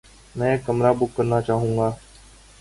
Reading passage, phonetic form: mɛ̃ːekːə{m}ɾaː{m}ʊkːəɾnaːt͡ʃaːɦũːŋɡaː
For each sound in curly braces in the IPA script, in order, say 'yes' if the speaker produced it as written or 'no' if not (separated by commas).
yes, no